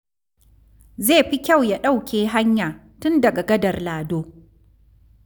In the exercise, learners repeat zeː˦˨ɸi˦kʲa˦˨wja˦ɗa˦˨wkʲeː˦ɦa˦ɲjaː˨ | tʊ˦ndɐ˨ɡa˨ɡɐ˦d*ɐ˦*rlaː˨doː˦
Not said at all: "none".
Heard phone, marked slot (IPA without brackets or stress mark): ɐ˨